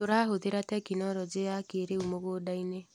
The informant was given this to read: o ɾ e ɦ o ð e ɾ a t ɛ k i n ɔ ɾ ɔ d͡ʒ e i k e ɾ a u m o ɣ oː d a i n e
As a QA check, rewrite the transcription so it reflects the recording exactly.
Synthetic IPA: o ɾ a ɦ o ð e ɾ a t ɛ k i n ɔ ɾ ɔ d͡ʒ e a k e ɾ e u m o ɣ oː d a i n e